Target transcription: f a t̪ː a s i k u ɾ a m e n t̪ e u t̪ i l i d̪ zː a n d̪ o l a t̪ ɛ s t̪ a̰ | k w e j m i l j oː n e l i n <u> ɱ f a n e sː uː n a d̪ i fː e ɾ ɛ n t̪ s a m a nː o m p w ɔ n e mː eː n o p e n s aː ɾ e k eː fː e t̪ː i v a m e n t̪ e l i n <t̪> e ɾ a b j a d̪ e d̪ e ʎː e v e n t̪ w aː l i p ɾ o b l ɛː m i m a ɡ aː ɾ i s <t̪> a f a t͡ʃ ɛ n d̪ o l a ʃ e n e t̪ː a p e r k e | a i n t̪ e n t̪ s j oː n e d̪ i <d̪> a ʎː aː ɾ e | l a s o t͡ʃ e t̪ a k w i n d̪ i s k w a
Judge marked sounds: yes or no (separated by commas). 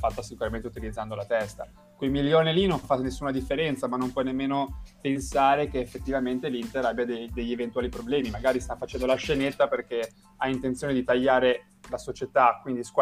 no, yes, yes, no